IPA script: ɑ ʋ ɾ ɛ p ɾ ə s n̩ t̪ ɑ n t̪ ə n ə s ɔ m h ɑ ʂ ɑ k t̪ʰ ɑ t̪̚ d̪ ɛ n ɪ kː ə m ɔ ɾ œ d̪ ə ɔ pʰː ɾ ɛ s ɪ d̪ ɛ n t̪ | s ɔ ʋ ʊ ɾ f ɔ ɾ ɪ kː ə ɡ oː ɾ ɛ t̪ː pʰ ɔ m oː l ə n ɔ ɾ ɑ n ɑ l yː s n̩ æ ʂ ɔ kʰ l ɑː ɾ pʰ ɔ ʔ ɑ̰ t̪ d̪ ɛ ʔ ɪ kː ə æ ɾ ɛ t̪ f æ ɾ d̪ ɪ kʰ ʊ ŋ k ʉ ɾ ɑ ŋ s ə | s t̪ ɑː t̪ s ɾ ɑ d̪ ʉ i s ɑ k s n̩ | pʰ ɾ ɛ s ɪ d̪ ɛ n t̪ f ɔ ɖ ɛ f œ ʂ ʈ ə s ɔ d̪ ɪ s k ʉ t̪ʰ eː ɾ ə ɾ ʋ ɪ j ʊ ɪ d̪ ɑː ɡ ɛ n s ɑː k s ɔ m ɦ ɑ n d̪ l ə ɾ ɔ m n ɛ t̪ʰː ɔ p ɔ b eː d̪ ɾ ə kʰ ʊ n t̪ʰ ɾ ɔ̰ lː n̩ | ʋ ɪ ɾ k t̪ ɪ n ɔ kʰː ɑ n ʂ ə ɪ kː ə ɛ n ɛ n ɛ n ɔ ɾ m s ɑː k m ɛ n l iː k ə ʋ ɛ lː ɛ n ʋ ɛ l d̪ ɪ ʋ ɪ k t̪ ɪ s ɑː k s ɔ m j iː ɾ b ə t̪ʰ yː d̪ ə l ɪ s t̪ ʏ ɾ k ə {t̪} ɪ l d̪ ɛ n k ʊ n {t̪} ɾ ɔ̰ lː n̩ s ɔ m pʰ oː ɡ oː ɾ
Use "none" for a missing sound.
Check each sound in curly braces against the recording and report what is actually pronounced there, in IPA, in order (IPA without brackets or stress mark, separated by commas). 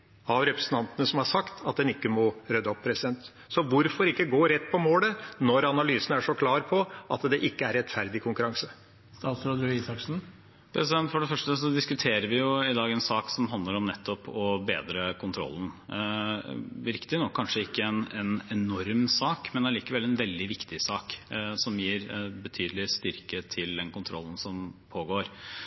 t̪ʰ, t̪ʰ